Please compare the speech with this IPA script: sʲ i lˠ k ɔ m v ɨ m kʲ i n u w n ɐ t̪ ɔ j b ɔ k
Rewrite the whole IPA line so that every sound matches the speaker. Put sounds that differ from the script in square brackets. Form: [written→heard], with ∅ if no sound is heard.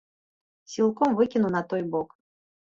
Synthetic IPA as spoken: sʲ i lˠ k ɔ m v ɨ [m→∅] kʲ i n u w n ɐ t̪ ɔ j b ɔ k